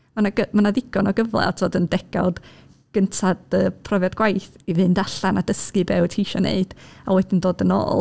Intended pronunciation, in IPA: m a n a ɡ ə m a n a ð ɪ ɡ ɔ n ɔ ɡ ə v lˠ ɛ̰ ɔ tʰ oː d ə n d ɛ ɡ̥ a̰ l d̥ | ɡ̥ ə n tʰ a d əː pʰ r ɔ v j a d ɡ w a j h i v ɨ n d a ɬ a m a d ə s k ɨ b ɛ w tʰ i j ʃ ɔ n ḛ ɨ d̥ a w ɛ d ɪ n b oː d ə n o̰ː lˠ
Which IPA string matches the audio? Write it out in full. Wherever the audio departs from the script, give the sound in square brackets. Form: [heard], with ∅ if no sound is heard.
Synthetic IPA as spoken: m a n a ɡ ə m a n a ð ɪ ɡ ɔ n ɔ ɡ ə v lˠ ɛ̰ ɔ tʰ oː d ə n d ɛ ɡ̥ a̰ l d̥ | ɡ̥ ə n tʰ a d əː pʰ r ɔ v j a d ɡ w a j [θ] i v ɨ n d a ɬ a [n] a d ə s k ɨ b ɛ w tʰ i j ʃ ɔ n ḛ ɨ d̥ a w ɛ d ɪ n [d] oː d ə n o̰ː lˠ